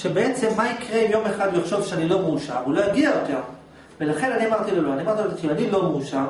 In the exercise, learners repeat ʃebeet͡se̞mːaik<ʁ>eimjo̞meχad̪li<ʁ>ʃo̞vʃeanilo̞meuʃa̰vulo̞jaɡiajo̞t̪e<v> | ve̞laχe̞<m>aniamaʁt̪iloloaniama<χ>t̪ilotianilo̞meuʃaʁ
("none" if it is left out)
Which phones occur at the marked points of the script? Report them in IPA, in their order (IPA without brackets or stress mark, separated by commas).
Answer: ʁ, χ, ʁ, n, ʁ